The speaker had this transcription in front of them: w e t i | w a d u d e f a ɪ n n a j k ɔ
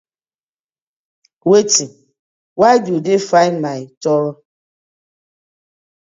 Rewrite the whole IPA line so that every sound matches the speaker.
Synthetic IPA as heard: w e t i | w a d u d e f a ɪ n m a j t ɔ